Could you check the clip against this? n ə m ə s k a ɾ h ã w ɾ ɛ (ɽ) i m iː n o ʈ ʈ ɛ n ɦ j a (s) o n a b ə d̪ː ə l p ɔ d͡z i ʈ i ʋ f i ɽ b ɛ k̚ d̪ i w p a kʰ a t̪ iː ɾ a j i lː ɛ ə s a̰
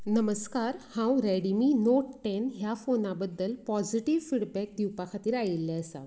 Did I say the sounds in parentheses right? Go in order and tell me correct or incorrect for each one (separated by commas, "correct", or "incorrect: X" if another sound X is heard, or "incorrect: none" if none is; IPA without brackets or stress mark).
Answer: correct, incorrect: f